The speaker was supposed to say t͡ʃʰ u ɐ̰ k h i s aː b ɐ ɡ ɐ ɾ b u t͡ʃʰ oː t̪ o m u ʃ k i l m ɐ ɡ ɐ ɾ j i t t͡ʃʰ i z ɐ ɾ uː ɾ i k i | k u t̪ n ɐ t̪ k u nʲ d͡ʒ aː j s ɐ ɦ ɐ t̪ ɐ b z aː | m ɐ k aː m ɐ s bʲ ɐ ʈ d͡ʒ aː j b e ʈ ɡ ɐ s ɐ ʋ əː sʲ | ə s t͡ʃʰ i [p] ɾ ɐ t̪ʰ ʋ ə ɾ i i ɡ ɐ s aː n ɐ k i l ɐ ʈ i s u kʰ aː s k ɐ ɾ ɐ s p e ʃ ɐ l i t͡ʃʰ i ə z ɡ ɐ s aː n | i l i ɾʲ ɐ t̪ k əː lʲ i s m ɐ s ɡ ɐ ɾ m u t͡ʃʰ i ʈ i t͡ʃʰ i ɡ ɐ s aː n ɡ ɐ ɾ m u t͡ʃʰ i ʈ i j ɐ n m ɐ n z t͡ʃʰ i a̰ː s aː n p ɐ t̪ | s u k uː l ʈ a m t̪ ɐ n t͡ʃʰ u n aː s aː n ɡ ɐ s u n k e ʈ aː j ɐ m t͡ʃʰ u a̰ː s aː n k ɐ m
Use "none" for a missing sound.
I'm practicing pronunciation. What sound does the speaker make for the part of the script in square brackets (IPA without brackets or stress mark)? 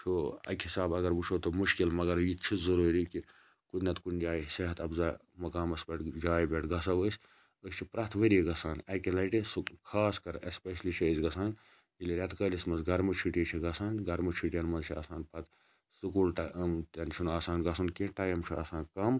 p